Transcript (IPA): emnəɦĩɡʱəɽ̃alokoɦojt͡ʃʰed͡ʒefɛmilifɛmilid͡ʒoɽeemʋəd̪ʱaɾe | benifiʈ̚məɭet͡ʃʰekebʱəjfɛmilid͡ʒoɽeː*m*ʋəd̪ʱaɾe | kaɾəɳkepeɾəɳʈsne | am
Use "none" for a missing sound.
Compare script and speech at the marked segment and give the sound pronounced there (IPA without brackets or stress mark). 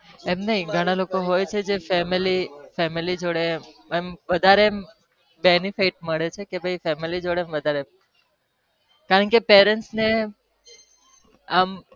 m